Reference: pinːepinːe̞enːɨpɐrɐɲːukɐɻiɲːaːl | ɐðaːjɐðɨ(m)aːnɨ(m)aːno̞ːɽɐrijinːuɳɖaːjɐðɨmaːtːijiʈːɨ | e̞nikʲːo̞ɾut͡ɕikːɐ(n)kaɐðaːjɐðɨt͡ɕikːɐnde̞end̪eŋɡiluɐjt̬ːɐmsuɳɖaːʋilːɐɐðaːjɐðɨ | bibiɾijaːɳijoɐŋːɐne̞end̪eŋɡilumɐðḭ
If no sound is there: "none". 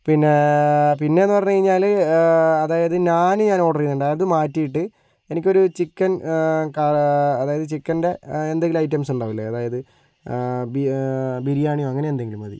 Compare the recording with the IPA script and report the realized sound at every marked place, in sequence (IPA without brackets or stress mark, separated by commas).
ɲ, ɲ, n